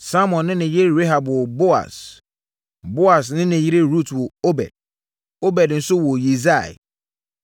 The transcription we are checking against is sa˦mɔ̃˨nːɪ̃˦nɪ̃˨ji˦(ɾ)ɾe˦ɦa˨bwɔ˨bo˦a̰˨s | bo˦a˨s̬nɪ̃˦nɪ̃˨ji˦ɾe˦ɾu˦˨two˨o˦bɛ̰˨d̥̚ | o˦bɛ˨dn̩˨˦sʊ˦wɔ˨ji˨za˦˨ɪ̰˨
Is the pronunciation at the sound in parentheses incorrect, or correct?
correct